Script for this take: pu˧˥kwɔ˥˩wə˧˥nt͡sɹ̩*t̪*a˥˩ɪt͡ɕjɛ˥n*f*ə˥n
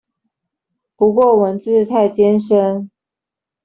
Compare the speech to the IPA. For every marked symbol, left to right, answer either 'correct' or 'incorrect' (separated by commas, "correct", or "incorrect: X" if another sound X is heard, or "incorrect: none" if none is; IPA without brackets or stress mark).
incorrect: t̪ʰ, incorrect: ʂ